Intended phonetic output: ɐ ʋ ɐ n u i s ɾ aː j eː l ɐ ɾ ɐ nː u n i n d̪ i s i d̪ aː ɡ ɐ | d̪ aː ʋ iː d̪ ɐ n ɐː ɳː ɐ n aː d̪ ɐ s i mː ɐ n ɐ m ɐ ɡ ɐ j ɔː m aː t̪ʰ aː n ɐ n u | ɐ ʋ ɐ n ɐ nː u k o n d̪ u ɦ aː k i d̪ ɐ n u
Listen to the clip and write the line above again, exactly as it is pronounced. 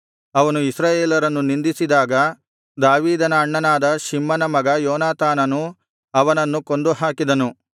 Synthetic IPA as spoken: ɐ ʋ ɐ n u i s ɾ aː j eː l ɐ ɾ ɐ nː u n i n d̪ i s i d̪ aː ɡ ɐ | d̪ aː ʋ iː d̪ ɐ n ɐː ɳː ɐ n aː d̪ ɐ ʃ i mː ɐ n ɐ m ɐ ɡ ɐ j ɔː n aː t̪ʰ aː n ɐ n u | ɐ ʋ ɐ n ɐ nː u k o n d̪ u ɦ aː k i d̪ ɐ n u